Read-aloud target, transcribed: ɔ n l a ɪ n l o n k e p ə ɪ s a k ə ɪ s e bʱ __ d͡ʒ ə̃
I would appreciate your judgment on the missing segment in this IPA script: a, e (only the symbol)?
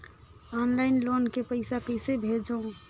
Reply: e